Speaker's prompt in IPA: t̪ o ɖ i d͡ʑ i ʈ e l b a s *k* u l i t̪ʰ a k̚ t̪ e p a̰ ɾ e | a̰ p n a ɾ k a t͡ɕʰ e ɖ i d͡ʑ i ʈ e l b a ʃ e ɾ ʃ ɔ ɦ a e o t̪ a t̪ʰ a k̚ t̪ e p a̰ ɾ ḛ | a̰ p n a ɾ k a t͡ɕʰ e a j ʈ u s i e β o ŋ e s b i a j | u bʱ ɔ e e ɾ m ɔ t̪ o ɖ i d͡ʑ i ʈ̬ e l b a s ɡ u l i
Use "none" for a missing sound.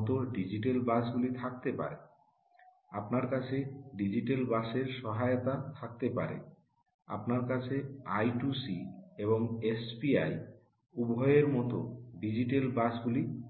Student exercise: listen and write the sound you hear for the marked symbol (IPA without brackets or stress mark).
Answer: ɡ